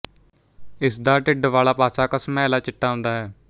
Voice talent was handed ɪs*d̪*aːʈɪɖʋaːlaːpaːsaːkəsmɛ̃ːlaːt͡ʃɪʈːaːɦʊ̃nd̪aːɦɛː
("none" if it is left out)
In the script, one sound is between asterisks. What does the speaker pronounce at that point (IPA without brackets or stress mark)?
d̪